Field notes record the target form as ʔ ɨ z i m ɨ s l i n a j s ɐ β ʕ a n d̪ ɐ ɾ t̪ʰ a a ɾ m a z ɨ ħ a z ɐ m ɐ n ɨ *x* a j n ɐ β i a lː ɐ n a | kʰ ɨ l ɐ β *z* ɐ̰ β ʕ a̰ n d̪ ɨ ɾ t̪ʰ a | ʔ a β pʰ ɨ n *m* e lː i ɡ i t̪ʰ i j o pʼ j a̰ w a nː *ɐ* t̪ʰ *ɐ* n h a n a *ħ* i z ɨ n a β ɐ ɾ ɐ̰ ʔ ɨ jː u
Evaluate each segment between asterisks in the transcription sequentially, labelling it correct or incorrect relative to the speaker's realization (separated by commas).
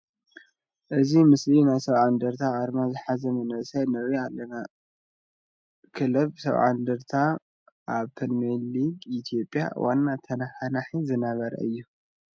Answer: incorrect, incorrect, correct, incorrect, correct, correct